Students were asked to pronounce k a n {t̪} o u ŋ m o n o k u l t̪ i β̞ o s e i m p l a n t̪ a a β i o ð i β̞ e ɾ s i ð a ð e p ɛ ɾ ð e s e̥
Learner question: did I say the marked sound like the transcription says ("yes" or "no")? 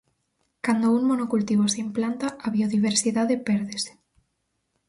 no